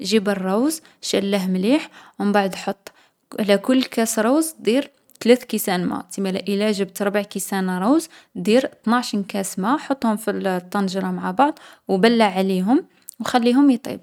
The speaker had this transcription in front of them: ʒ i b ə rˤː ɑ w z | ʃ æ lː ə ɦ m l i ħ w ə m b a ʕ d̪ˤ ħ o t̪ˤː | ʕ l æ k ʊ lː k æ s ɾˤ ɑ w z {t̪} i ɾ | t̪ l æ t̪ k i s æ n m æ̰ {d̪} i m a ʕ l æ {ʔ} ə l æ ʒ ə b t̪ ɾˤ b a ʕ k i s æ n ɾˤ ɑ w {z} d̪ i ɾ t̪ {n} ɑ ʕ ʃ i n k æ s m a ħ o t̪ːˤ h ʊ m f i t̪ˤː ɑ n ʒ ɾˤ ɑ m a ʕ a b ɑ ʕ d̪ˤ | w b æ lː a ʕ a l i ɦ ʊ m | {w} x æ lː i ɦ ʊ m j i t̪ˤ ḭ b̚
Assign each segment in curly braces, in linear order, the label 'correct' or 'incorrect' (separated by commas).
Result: incorrect, incorrect, correct, correct, correct, correct